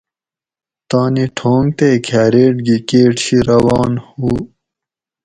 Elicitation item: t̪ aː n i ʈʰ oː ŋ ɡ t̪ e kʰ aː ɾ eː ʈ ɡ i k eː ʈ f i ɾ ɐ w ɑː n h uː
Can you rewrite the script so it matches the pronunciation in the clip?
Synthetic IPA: t̪ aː n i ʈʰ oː ŋ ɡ t̪ e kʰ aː ɾ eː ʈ ɡ i k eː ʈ ɕ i ɾ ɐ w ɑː n h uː